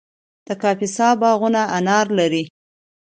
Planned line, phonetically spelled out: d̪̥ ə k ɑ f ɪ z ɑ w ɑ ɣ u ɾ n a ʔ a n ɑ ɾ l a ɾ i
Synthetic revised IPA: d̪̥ ə k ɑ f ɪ s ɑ b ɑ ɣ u n a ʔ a n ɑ ɾ l a ɾ i